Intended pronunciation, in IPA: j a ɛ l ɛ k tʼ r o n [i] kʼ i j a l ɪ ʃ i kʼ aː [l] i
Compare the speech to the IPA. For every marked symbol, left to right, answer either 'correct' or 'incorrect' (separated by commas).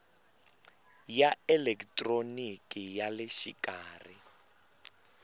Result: correct, incorrect